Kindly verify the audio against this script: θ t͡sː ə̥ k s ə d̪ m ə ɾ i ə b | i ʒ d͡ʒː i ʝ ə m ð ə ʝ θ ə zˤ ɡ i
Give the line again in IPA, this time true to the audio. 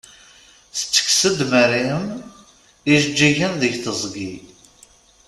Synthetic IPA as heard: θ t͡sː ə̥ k s ə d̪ m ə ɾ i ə m | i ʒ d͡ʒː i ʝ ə n ð ə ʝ θ ə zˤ ɡ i